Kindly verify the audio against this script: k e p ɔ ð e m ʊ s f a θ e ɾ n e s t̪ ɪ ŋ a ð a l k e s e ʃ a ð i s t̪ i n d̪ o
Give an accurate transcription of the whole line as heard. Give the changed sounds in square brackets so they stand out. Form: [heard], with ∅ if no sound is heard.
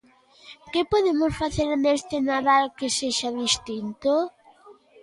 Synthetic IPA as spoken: k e p [o] ð e m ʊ s f a θ e ɾ n e s t̪ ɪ [n] a ð a l k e s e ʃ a ð i s t̪ i n [t̪] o